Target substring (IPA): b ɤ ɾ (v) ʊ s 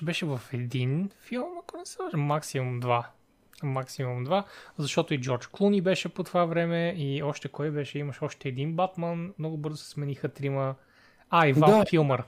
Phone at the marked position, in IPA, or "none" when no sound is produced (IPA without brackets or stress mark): z